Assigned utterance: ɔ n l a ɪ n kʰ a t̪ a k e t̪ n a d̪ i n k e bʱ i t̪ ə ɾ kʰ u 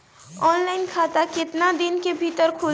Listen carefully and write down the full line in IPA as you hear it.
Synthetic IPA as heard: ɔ n l a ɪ n kʰ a t̪ a k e t̪ n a d̪ i n k e bʱ i t̪ ə ɾ kʰ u